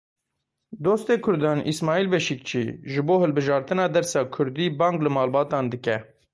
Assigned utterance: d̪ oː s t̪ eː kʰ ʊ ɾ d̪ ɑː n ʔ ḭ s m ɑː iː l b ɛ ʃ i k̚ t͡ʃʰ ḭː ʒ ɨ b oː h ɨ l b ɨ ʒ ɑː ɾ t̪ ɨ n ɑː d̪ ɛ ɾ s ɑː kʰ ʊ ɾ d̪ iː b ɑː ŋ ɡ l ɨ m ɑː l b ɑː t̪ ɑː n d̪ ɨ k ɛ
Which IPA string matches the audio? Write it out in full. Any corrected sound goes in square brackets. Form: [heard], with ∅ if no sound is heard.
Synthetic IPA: d̪ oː s t̪ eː kʰ ʊ ɾ d̪ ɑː n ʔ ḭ s m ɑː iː l b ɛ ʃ i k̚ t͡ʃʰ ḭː ʒ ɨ b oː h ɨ l b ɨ ʒ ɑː ɾ t̪ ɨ n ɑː d̪ ɛ ɾ s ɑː kʰ ʊ ɾ d̪ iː b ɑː ŋ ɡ l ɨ m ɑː l b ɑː t̪ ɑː n d̪ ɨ k ɛ